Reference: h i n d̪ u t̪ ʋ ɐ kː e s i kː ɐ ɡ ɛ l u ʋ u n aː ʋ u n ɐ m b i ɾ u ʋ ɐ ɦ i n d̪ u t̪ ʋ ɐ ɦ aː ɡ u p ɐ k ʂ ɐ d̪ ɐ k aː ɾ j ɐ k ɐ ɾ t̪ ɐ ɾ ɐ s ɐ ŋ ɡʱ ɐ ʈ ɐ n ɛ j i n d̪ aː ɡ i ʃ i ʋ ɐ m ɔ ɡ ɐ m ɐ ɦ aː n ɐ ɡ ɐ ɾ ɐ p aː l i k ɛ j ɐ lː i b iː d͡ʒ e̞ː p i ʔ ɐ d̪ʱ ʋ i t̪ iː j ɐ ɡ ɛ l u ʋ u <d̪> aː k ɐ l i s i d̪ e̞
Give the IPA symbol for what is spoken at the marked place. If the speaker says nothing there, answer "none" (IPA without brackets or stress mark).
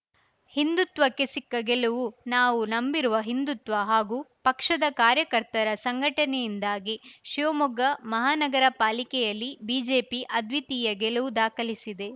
d̪